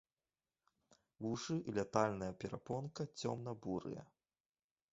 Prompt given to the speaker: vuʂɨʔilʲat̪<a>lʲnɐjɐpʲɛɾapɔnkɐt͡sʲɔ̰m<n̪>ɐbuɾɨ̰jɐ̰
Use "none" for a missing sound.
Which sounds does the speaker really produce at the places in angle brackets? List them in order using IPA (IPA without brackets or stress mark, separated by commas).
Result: a, n̪